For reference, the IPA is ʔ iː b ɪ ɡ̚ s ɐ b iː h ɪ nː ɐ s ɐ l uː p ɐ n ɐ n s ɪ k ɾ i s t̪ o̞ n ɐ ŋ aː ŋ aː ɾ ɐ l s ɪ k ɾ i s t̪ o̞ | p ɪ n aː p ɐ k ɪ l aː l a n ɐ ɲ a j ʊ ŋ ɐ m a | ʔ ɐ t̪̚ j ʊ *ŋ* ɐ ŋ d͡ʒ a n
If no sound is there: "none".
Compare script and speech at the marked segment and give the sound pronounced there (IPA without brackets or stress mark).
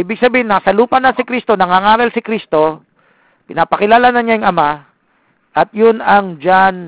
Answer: n